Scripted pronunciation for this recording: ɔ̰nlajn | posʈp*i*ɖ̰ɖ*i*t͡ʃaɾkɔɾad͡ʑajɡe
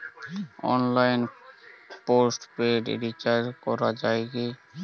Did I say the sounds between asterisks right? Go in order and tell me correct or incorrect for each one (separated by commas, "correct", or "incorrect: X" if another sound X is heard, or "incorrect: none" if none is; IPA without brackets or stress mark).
incorrect: e, correct